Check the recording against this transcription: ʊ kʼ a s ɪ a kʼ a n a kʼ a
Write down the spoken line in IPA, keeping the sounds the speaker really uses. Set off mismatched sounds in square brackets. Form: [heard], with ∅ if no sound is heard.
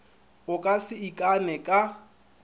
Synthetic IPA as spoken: ʊ kʼ a s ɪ [i] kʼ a n [ɛ] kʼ a

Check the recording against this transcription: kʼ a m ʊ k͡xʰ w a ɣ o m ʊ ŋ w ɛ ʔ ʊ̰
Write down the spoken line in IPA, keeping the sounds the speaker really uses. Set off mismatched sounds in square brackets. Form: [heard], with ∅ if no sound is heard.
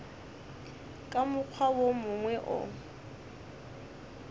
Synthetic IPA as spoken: kʼ a m ʊ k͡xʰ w a [w] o m ʊ ŋ w ɛ ʔ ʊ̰

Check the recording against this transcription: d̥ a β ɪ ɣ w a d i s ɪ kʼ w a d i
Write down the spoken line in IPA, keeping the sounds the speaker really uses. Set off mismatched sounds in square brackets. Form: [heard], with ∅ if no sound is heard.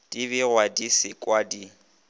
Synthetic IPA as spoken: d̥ [i] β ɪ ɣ w a d i s ɪ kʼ w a d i

